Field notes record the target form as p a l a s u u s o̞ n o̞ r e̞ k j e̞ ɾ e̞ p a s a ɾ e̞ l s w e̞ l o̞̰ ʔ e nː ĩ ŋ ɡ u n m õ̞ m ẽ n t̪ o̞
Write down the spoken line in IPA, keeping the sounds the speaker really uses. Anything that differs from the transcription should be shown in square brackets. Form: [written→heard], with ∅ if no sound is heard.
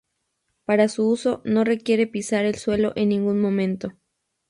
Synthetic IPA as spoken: p a [l→ɾ] a s u u s o̞ n o̞ r e̞ k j e̞ ɾ e̞ p [a→i] s a ɾ e̞ l s w e̞ l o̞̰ ʔ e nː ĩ ŋ ɡ u n m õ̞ m ẽ n t̪ o̞